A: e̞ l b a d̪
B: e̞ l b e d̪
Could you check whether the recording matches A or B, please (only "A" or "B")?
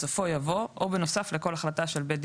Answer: B